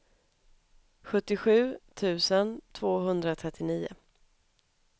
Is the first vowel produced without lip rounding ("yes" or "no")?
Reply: no